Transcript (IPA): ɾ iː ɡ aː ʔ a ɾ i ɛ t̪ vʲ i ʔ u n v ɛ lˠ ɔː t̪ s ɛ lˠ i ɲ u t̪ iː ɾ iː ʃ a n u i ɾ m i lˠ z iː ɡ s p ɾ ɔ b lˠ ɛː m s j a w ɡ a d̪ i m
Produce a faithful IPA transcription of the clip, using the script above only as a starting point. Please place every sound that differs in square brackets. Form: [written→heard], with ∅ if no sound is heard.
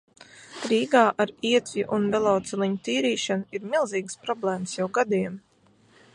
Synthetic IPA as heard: ɾ iː ɡ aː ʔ a ɾ i ɛ t̪ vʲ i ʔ u n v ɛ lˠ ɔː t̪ s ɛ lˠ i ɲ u t̪ iː ɾ iː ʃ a n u i ɾ m i lˠ z iː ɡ s p ɾ ɔ b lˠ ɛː m s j a w ɡ a d̪ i m